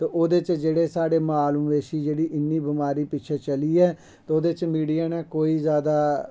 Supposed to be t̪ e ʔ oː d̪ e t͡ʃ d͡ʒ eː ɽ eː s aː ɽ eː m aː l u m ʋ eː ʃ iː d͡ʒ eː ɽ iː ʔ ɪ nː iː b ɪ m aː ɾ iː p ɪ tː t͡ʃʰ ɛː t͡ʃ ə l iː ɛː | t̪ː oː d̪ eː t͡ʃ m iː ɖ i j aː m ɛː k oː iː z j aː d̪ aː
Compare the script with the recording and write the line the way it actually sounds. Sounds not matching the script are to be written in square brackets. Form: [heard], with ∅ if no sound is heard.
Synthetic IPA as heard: t̪ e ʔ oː d̪ e t͡ʃ d͡ʒ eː ɽ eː s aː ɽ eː m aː l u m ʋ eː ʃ iː d͡ʒ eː ɽ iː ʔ ɪ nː iː b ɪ m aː ɾ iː p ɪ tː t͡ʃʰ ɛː t͡ʃ ə l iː ɛː | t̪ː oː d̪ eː t͡ʃ m iː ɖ i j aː [n] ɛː k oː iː z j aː d̪ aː

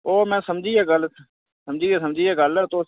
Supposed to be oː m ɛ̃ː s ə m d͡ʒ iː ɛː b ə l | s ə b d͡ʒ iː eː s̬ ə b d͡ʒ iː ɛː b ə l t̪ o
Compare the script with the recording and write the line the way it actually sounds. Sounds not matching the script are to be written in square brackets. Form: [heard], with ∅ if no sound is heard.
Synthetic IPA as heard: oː m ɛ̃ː s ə m d͡ʒ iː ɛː [ɡ] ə l | s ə [m] d͡ʒ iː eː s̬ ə [m] d͡ʒ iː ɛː [ɡ] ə l t̪ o

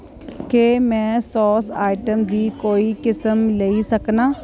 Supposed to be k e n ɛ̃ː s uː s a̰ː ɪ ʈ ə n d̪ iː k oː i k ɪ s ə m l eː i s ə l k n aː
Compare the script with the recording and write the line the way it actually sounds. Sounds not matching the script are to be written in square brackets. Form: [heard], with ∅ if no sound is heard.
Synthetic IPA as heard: k e [m] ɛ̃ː s [ɔː] s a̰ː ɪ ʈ ə [m] d̪ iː k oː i k ɪ s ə m l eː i s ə [∅] k n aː

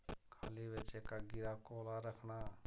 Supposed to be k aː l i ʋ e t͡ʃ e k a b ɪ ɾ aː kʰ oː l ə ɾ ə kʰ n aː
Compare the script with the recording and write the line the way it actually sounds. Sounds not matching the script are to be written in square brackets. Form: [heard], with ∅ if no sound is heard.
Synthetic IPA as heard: [kʰ] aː l i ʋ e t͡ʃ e k a [ɡ] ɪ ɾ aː [k] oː l [a] ɾ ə kʰ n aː

